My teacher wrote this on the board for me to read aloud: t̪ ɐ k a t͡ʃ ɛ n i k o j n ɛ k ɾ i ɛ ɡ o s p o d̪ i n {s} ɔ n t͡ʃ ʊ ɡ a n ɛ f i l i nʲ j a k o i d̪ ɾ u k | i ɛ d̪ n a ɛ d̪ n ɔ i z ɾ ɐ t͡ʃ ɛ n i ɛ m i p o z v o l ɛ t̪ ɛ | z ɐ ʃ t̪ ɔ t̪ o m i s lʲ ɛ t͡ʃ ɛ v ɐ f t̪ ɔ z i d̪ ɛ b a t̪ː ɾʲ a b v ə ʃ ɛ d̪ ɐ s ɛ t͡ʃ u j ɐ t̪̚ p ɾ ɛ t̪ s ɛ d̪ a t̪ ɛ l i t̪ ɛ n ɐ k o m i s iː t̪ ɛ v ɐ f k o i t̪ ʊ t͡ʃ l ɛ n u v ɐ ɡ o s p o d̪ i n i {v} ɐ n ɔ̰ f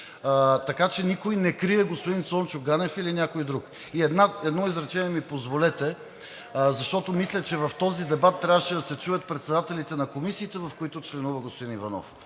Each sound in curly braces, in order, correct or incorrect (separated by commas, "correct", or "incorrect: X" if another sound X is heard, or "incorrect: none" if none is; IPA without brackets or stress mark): correct, correct